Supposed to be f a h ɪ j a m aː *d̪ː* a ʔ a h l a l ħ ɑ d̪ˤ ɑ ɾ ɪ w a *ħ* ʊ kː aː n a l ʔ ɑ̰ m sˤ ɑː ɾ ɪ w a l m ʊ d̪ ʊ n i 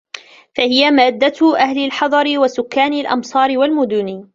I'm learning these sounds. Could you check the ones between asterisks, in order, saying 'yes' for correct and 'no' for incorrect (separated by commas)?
yes, no